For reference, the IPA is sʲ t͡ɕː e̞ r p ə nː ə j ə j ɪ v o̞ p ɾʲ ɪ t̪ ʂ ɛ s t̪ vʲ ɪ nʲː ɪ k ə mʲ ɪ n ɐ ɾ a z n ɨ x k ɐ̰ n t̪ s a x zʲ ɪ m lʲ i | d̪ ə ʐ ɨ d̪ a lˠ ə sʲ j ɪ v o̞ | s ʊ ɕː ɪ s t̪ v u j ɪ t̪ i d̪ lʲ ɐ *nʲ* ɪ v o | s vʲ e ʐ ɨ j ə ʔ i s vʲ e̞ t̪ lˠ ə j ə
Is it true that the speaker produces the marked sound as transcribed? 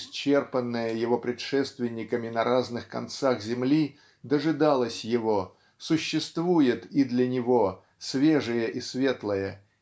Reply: yes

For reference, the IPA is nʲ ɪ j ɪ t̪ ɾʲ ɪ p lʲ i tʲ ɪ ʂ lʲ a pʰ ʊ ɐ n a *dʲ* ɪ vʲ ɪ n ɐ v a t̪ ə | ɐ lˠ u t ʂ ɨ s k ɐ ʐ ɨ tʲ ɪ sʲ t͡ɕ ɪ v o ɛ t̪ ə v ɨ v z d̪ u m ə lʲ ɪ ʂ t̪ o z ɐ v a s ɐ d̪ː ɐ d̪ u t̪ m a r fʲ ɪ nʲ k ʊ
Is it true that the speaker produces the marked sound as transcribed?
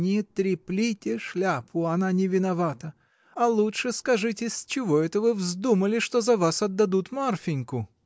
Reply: no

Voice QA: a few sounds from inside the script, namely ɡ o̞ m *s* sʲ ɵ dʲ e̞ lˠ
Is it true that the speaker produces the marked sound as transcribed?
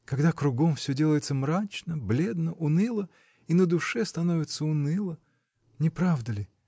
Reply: no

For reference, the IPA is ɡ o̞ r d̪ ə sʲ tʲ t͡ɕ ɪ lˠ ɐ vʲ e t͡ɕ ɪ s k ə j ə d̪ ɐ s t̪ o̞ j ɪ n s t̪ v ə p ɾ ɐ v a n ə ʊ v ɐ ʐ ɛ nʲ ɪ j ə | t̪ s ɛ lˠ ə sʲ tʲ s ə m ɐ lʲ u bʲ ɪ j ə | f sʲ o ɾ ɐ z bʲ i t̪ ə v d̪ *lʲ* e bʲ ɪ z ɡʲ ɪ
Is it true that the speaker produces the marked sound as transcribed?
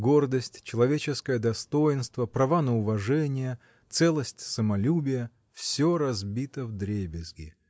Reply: no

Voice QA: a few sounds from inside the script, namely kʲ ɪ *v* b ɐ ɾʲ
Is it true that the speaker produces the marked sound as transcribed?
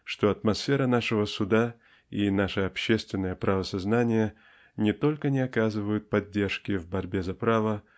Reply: yes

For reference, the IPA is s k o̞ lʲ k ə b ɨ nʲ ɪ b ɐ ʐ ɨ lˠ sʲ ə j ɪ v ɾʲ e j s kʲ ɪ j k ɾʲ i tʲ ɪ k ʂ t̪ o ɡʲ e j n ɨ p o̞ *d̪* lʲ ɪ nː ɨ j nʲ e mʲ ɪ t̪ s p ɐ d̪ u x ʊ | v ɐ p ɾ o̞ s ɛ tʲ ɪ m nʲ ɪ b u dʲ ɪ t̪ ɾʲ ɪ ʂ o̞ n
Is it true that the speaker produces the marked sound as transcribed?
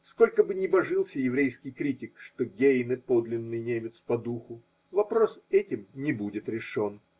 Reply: yes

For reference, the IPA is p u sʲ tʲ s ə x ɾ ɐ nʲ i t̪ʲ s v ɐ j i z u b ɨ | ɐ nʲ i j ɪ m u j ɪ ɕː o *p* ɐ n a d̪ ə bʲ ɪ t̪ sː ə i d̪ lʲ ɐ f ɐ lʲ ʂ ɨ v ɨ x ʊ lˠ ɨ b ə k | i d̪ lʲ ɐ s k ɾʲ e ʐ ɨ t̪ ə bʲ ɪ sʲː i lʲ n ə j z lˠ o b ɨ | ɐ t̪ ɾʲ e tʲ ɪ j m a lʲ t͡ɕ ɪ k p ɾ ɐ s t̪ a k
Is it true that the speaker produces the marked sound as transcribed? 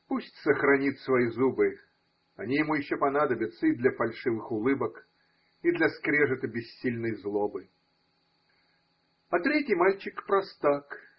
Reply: yes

